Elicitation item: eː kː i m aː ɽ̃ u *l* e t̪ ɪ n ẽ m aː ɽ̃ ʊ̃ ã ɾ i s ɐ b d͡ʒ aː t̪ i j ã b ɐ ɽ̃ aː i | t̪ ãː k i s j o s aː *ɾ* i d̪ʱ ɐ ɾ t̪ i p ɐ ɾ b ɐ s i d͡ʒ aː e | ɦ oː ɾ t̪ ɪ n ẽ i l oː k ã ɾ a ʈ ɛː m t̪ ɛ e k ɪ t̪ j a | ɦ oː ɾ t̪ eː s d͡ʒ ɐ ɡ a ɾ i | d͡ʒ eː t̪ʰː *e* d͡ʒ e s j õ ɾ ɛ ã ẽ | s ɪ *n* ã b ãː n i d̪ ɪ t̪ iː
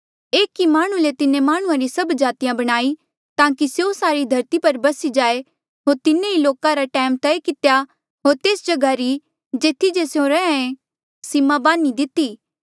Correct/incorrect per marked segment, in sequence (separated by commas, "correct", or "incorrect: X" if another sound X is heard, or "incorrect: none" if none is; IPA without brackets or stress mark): correct, correct, incorrect: i, incorrect: m